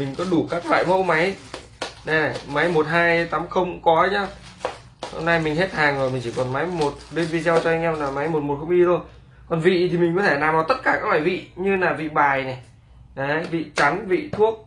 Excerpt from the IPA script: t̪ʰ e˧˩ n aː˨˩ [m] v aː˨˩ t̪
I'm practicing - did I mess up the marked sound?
no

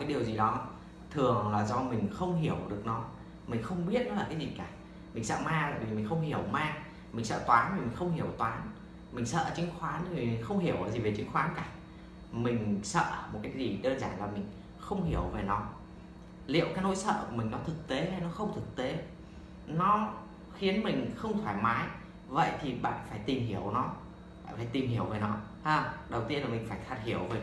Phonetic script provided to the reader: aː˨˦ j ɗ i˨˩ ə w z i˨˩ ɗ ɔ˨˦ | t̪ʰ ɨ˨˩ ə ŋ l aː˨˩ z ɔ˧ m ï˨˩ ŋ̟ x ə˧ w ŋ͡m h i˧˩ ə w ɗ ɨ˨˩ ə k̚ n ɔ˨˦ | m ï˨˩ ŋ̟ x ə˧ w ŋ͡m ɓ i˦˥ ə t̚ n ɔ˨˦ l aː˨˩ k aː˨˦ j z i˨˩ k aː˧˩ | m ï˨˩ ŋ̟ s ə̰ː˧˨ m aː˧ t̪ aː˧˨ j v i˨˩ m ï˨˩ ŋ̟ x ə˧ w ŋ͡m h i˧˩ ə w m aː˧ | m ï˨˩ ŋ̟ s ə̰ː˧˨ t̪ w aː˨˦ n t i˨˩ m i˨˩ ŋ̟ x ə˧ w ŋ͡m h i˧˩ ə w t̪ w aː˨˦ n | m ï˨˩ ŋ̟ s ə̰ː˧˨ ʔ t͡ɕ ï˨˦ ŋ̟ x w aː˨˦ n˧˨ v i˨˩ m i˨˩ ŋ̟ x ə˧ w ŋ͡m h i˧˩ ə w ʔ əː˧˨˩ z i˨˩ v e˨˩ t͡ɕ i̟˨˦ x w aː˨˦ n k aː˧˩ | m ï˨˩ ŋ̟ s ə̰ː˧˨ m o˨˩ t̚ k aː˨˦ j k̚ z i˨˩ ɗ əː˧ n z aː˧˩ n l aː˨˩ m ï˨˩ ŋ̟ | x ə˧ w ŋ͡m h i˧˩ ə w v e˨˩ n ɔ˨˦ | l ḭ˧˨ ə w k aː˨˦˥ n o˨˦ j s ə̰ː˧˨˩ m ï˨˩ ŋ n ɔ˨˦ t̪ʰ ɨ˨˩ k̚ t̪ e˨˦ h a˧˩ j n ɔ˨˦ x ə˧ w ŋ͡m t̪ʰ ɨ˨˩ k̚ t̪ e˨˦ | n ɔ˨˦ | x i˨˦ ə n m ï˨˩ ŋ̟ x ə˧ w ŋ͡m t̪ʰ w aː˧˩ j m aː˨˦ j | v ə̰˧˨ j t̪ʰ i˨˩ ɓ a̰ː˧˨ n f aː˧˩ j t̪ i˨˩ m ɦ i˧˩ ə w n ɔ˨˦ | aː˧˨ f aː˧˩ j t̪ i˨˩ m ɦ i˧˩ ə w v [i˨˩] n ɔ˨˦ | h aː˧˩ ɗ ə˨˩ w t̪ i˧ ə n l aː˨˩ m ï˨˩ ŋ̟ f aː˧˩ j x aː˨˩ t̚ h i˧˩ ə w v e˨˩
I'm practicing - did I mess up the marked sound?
yes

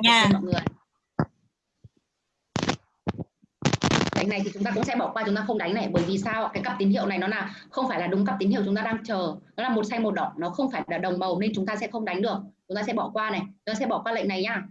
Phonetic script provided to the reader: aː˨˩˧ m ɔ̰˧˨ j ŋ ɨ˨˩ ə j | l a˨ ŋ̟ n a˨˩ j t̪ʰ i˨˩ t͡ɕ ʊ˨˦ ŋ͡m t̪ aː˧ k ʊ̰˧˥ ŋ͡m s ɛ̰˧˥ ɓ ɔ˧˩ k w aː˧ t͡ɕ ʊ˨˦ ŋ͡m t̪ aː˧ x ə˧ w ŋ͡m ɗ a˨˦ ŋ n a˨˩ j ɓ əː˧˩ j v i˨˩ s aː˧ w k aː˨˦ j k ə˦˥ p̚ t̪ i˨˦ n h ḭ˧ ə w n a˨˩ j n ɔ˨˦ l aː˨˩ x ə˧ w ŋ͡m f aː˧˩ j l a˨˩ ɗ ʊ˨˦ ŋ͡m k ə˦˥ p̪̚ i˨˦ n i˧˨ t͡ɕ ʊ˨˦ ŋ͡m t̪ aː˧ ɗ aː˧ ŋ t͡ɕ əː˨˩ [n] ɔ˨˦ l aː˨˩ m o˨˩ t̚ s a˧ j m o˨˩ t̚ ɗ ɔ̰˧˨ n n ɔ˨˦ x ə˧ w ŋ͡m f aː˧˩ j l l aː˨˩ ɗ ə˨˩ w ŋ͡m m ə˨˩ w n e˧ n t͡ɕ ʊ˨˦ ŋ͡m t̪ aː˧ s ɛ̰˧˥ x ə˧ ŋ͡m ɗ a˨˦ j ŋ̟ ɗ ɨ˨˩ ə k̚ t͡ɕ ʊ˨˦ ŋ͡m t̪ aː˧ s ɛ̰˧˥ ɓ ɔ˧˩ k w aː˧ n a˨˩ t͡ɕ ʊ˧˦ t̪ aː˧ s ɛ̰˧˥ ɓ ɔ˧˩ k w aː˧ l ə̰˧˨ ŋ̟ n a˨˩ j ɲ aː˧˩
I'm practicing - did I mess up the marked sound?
no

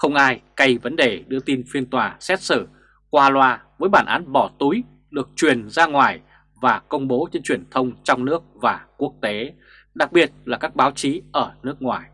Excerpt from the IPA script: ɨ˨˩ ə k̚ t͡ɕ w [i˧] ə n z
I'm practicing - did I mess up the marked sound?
yes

